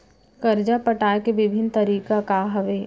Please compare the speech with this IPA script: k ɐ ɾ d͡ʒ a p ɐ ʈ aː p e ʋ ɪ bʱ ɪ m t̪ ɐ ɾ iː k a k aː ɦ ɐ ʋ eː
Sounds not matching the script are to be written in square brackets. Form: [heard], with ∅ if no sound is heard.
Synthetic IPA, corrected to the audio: k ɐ ɾ d͡ʒ a p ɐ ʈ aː [k] e ʋ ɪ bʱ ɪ [n] t̪ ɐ ɾ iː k a k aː ɦ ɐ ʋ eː